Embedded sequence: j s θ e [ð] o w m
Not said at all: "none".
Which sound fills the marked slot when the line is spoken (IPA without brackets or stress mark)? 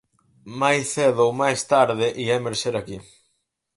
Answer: ð